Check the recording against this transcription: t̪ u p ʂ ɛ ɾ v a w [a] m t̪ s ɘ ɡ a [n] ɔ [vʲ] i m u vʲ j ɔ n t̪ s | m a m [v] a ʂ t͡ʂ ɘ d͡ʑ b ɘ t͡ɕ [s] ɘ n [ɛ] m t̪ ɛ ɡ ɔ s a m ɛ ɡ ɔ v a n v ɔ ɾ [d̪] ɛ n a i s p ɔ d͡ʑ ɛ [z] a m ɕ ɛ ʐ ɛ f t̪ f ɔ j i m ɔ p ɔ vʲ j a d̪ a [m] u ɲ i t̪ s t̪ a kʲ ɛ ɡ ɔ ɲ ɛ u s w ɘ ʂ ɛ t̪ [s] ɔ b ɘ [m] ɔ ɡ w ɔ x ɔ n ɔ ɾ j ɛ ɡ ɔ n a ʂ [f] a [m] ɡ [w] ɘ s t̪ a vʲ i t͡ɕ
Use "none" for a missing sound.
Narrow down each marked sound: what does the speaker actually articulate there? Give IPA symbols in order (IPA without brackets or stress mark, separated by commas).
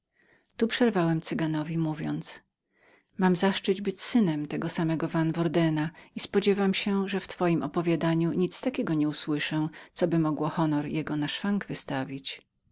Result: ɛ, n, vʲ, z, s, ɛ, d̪, v, ɲ, s, m, f, ŋ, v